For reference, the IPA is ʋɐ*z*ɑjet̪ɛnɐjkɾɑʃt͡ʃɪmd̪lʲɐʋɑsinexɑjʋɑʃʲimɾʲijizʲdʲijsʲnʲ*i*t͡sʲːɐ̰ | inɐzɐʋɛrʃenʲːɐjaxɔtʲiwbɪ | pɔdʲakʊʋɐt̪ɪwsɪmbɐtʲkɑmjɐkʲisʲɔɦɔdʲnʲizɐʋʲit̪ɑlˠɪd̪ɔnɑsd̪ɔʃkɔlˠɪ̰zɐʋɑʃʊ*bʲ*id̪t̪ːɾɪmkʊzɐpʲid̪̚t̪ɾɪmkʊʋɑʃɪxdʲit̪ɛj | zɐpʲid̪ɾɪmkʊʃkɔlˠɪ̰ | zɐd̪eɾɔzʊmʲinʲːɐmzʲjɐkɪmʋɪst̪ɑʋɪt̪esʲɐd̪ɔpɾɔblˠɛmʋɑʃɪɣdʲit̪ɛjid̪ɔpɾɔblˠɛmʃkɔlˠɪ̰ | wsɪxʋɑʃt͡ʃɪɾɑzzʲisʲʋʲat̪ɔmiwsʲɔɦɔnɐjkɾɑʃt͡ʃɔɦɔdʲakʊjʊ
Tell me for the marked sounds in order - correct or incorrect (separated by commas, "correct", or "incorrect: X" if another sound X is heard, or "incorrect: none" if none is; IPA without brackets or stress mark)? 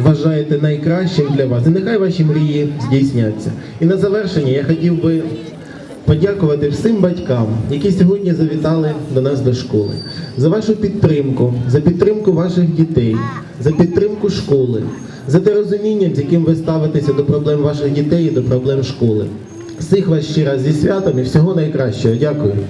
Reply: incorrect: ʒ, incorrect: a, incorrect: pʲ